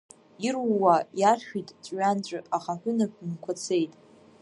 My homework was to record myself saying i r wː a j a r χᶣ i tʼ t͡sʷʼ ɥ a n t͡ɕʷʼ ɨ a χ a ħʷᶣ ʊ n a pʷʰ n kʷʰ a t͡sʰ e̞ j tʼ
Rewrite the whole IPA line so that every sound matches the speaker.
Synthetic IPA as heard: i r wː a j a r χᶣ i tʼ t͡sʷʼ ɥ a n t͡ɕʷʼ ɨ a χ a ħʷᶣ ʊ n a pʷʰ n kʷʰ a t͡sʰ e̞ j tʼ